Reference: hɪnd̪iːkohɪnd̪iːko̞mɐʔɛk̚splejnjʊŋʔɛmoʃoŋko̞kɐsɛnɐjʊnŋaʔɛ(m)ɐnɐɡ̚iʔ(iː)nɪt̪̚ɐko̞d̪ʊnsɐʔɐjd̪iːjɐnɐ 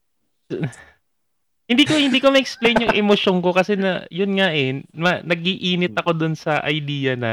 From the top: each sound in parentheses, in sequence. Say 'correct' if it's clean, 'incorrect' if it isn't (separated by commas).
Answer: correct, correct